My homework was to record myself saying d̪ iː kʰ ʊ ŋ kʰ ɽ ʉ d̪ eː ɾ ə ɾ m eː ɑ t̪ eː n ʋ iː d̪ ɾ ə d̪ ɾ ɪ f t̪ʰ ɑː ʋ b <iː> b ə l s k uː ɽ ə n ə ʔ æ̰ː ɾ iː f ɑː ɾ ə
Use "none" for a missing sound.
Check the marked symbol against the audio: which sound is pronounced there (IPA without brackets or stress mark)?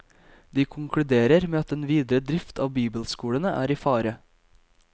iː